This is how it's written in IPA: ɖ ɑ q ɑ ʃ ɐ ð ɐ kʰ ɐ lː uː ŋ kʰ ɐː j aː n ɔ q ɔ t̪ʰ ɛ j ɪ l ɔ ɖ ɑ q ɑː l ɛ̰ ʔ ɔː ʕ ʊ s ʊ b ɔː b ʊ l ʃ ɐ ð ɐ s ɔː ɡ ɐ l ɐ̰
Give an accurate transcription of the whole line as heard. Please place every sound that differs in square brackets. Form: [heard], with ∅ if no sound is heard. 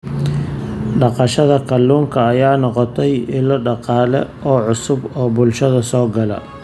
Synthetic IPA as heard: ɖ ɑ q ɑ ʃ ɐ ð ɐ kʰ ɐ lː uː ŋ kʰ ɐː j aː n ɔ q ɔ t̪ʰ ɛ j ɪ l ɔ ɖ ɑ q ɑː l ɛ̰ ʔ ɔː ʕ ʊ s ʊ b ɔː b ʊ l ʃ ɐ ð ɐ s ɔː ɡ ɐ l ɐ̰